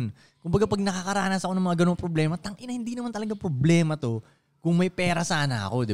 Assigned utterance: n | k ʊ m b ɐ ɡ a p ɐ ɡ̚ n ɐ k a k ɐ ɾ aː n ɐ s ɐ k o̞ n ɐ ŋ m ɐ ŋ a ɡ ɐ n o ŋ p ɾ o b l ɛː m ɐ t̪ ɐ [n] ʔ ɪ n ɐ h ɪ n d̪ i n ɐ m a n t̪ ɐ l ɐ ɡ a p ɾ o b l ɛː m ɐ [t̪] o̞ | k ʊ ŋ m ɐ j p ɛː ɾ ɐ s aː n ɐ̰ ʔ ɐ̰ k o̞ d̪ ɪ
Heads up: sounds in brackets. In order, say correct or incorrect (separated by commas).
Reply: incorrect, correct